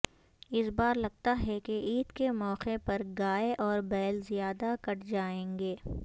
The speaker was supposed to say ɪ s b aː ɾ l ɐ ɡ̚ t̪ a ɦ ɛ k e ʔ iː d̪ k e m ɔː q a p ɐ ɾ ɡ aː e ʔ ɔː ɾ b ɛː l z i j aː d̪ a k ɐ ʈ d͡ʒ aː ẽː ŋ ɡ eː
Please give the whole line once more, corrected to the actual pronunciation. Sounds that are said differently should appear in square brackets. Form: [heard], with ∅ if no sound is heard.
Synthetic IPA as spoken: ɪ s b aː ɾ l ɐ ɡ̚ t̪ a ɦ ɛ k e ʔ iː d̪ k e m ɔː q [e] p ɐ ɾ ɡ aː e ʔ ɔː ɾ b ɛː l z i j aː d̪ a k ɐ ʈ d͡ʒ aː ẽː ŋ ɡ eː